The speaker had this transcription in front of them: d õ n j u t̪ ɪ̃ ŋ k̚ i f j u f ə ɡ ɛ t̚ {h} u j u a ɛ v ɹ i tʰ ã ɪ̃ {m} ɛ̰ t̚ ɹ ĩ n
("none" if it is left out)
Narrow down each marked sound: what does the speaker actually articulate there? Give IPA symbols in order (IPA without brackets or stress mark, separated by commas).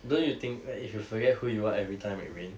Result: h, m